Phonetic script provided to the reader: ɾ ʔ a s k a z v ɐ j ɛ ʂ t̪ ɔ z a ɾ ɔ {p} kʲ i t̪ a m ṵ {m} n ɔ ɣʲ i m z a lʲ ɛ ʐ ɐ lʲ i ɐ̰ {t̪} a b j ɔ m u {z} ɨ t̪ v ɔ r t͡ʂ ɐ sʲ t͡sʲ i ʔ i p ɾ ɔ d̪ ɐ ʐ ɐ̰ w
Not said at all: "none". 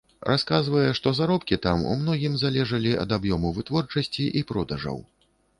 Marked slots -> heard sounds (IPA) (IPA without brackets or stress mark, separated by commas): p, m, d̪, v